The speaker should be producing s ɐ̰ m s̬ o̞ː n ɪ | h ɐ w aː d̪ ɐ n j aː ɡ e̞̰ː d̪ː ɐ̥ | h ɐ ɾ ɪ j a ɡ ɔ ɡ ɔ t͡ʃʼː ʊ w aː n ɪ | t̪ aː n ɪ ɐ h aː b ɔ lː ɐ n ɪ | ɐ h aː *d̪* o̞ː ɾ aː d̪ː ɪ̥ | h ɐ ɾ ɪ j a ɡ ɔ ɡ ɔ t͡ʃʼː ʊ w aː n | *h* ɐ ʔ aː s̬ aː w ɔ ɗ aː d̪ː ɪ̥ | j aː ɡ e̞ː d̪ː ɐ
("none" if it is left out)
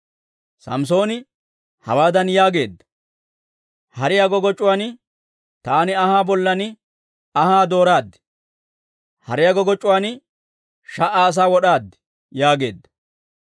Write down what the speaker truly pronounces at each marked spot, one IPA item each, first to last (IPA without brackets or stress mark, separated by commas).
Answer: d̪, ʃ